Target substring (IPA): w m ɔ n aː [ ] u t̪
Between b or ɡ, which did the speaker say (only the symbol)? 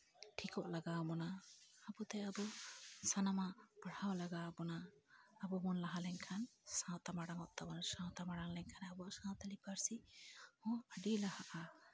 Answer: b